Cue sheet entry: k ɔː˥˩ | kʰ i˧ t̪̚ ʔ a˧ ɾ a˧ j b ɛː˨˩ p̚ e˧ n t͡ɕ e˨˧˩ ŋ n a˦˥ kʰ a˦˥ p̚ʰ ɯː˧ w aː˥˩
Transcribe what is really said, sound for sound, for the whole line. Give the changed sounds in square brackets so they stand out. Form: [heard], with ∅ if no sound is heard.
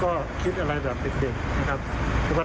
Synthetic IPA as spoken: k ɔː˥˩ | kʰ [i˦˥] t̪̚ ʔ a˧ ɾ a˧ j b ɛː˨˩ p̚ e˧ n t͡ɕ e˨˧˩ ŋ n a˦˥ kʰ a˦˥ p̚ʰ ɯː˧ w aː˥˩